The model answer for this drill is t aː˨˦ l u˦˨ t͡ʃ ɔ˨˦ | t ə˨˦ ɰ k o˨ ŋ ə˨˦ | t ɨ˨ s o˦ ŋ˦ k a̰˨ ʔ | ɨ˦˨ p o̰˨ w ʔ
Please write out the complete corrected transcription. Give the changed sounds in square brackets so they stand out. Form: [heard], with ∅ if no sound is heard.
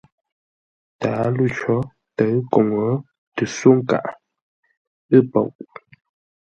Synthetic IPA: t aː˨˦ l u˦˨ t͡ʃ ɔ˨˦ | t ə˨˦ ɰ k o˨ ŋ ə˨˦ | t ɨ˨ s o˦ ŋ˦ k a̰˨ ʔ | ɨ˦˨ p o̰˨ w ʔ

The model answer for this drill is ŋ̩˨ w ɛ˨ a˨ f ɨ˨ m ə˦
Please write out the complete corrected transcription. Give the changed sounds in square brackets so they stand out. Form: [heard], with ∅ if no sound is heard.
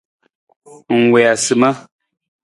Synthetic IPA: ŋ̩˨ w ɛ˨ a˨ [s] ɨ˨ m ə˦

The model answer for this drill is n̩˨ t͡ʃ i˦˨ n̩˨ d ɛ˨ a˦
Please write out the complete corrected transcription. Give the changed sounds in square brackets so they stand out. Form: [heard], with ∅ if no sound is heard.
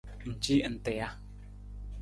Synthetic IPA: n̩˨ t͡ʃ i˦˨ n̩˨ [t] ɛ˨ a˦

